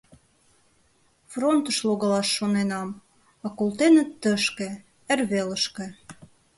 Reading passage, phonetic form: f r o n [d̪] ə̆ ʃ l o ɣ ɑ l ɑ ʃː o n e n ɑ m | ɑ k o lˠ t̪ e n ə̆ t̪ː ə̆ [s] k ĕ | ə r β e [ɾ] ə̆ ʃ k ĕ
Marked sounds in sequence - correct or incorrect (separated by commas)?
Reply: incorrect, incorrect, incorrect